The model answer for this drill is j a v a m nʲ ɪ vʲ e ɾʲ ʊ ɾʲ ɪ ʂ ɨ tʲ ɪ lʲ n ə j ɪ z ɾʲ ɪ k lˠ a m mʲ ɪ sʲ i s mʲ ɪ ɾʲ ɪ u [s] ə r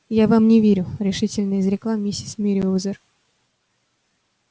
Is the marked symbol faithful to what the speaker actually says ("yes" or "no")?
no